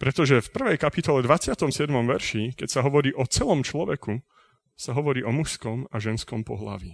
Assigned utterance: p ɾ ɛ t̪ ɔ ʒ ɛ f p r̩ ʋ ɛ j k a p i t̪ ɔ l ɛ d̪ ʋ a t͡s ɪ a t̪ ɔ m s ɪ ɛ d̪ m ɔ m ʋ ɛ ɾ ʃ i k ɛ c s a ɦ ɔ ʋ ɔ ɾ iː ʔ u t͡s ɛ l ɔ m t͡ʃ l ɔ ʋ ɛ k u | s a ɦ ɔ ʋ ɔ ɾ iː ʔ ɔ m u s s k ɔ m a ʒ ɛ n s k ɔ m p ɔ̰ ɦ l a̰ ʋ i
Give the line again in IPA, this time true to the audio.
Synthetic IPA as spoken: p ɾ ɛ t̪ ɔ ʒ ɛ f p r̩ ʋ ɛ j k a p i t̪ ɔ l ɛ d̪ ʋ a t͡s ɪ a t̪ ɔ m s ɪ ɛ d̪ m ɔ m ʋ ɛ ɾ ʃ i k ɛ c s a ɦ ɔ ʋ ɔ ɾ iː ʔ ɔ t͡s ɛ l ɔ m t͡ʃ l ɔ ʋ ɛ k u | s a ɦ ɔ ʋ ɔ ɾ iː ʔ ɔ m u ʃ s k ɔ m a ʒ ɛ n s k ɔ m p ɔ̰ ɦ l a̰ ʋ i